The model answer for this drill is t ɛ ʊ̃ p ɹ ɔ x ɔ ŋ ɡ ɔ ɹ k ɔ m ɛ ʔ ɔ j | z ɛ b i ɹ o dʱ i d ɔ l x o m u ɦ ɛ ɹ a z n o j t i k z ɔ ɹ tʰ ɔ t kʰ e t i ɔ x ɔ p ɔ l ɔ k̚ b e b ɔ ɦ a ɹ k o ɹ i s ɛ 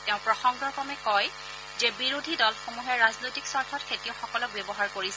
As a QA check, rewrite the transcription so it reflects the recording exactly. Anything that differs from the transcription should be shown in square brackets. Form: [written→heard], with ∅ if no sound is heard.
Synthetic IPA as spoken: t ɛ ʊ̃ p ɹ ɔ x ɔ ŋ ɡ ɔ ɹ k ɔ m ɛ [ʔ→k] ɔ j | z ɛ b i ɹ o dʱ i d ɔ l x o m u ɦ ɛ ɹ a z n o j t i k [z→s] ɔ ɹ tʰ ɔ t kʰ e t i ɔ x ɔ [p→k] ɔ l ɔ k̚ b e b ɔ ɦ a ɹ k o ɹ i s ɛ